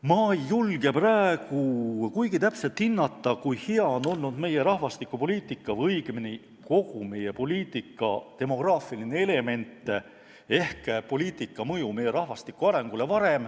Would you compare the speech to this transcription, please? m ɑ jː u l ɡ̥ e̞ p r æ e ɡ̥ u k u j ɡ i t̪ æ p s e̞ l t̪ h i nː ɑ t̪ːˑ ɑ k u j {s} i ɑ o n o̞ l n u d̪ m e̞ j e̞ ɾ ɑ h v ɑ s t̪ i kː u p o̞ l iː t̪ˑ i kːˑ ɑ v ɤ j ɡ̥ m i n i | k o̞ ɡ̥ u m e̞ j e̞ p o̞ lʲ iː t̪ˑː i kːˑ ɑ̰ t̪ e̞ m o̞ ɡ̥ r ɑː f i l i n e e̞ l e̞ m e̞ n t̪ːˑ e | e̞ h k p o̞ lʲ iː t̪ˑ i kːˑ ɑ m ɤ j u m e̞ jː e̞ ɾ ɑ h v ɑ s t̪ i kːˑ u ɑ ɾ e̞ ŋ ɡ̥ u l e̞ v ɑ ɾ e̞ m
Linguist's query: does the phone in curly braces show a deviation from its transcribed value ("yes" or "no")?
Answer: yes